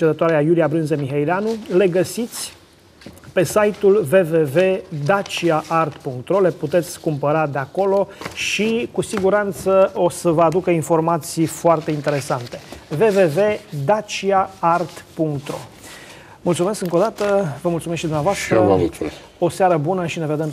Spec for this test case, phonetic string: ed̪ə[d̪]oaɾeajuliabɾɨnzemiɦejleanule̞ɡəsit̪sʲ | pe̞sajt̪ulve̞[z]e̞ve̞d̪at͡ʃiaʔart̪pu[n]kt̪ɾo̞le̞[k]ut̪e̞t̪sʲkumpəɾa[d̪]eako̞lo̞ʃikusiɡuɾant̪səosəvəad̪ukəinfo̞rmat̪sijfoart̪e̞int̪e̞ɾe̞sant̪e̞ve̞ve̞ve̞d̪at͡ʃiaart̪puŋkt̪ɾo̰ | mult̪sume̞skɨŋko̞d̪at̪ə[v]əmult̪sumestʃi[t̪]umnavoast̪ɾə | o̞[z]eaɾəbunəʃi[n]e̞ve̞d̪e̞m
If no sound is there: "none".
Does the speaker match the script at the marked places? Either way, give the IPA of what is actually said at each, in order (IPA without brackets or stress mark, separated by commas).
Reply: t̪, v, ŋ, p, d̪, v, d̪, s, n